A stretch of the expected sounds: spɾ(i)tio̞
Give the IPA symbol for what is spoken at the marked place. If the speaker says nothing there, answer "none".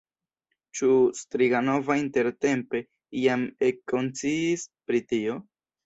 i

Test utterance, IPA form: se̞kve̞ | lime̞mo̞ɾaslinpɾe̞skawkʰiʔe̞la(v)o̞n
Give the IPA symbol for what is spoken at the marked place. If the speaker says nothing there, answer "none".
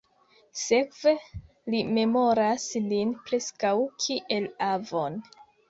v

